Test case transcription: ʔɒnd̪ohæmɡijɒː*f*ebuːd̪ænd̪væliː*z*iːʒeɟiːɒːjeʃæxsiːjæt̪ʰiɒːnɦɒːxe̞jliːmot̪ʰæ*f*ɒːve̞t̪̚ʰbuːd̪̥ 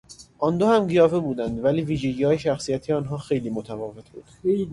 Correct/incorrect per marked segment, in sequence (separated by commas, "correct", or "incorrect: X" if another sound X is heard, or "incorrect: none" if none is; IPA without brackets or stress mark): correct, incorrect: v, incorrect: v